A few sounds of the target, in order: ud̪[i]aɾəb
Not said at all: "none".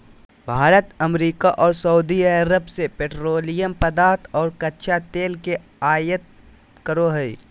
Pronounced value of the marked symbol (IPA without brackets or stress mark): i